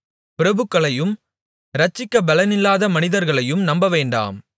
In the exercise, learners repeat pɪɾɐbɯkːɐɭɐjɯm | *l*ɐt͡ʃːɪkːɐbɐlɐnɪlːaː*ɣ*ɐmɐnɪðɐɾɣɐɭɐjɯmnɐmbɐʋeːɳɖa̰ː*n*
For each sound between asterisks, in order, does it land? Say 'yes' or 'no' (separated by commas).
no, no, no